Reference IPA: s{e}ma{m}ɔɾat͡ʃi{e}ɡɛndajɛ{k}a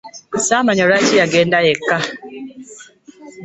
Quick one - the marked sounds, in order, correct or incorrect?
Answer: incorrect: a, incorrect: ɲ, incorrect: a, correct

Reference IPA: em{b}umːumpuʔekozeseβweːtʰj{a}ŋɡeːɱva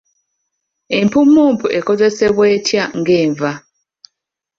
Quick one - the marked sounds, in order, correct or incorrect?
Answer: incorrect: p, correct

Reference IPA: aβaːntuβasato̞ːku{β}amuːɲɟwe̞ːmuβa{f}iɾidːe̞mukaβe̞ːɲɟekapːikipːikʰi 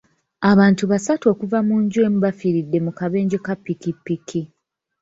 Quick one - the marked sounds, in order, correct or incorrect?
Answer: incorrect: v, correct

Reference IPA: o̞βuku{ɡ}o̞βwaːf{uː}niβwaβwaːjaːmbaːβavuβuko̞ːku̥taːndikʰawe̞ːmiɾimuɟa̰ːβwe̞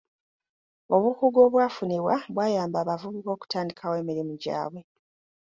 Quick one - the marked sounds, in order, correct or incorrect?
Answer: correct, incorrect: u

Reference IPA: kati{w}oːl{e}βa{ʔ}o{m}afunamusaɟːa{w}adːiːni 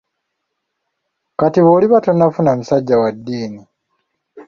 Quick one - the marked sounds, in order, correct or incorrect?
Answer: incorrect: β, incorrect: i, incorrect: t, incorrect: n, correct

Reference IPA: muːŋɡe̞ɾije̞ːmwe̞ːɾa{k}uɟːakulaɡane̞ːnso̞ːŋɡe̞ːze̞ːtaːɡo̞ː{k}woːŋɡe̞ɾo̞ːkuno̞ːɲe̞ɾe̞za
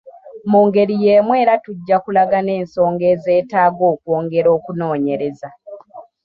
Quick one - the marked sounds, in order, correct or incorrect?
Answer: incorrect: t, correct

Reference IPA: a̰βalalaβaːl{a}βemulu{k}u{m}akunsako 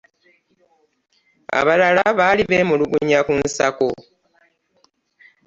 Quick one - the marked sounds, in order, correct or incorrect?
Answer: incorrect: i, incorrect: ɡ, incorrect: ɲ

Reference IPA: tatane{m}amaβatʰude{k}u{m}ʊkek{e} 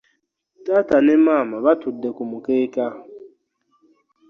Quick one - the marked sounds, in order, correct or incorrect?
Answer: correct, correct, correct, incorrect: a

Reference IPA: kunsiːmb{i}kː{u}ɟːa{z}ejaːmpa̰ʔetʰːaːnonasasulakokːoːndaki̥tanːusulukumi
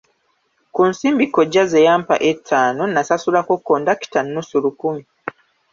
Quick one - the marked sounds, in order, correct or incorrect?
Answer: correct, incorrect: o, correct

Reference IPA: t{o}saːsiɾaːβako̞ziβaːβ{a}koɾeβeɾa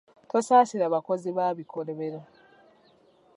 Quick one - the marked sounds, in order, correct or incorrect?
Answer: correct, incorrect: i

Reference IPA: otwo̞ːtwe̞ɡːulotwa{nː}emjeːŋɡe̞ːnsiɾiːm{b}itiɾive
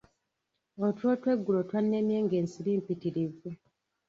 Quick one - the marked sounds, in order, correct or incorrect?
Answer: correct, incorrect: p

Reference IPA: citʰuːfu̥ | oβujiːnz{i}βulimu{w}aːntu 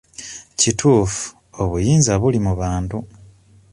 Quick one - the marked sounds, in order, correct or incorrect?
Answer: incorrect: a, incorrect: β

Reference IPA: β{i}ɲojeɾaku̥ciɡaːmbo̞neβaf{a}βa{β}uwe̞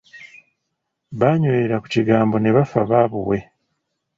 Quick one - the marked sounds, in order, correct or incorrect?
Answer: incorrect: a, correct, correct

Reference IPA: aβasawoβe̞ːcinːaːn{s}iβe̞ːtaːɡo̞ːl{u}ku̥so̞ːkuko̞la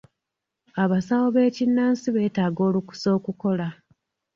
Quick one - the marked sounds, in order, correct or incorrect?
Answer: correct, correct

